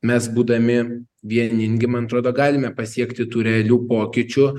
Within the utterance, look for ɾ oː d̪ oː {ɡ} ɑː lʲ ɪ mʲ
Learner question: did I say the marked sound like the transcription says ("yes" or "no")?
yes